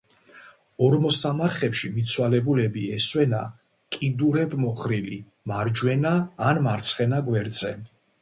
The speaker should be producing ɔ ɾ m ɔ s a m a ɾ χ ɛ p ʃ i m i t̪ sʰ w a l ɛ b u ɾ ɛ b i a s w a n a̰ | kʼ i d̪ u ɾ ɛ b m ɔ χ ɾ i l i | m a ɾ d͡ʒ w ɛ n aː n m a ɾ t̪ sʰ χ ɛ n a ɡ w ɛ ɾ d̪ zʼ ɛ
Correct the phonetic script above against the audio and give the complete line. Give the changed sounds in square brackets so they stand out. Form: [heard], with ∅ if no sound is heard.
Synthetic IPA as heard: ɔ ɾ m ɔ s a m a ɾ χ ɛ p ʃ i m i t̪ sʰ w a l ɛ b u [l] ɛ b i [ɛ] s w [ɛ] n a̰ | kʼ i d̪ u ɾ ɛ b m ɔ χ ɾ i l i | m a ɾ d͡ʒ w ɛ n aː n m a ɾ t̪ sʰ χ ɛ n a ɡ w ɛ ɾ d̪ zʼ ɛ